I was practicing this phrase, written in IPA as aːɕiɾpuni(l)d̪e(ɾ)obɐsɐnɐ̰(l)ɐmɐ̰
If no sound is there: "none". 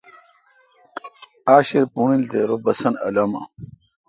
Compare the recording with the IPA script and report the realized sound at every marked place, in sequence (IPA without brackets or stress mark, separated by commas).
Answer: l, ɾ, l